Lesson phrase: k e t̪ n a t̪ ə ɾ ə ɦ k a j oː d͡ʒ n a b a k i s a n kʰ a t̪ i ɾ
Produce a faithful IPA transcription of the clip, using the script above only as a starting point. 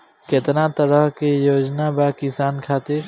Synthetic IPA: k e t̪ n a t̪ ə ɾ ə ɦ k e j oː d͡ʒ n a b a k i s a n kʰ a t̪ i ɾ